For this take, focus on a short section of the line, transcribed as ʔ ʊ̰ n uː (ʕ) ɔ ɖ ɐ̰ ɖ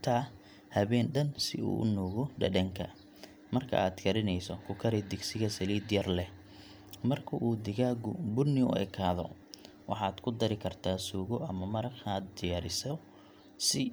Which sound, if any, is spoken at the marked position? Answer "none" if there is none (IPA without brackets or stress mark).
ɣ